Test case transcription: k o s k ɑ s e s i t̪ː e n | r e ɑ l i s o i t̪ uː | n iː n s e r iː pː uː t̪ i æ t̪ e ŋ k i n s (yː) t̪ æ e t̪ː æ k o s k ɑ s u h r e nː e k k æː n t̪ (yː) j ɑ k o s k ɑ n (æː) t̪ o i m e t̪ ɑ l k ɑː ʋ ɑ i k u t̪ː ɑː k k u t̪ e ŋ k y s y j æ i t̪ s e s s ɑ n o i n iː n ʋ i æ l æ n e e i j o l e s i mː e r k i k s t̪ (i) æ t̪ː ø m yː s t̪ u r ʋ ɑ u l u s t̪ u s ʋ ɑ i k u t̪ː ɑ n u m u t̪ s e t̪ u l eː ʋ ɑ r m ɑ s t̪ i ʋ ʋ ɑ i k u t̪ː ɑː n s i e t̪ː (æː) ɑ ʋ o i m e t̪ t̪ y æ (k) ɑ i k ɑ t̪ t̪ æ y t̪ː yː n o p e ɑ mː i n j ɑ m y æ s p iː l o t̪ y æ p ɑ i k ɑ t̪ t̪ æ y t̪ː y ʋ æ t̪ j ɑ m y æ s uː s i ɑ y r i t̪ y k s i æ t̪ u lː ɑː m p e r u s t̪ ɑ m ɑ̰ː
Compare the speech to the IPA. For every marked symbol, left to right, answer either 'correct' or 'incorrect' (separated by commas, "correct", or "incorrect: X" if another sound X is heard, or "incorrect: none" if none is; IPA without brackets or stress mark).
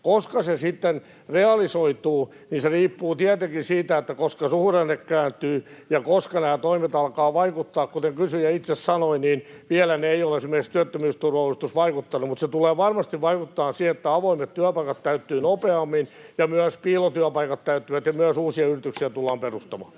incorrect: iː, correct, correct, incorrect: y, incorrect: æ, incorrect: p